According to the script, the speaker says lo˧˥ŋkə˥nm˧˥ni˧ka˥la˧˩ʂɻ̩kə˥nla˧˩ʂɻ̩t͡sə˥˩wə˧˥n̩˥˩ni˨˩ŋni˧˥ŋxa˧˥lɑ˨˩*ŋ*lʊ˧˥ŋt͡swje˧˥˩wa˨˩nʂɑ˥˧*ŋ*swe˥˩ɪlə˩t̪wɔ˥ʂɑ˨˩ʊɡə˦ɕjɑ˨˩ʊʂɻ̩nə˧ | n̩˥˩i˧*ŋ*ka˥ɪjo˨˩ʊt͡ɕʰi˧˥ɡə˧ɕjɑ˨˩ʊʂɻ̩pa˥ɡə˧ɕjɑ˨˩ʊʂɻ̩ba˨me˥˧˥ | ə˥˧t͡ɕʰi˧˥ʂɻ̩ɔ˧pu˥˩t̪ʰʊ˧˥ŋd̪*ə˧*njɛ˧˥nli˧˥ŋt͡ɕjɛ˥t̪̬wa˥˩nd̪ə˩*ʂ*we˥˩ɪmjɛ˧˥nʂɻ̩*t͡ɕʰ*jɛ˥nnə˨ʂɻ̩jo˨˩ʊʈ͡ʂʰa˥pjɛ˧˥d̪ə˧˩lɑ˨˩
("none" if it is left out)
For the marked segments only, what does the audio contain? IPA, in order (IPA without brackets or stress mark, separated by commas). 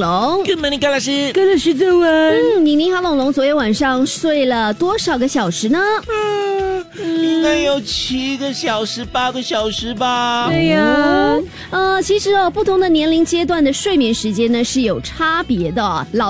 ŋ, ŋ, ŋ, ə˧, ʂ, t͡ɕ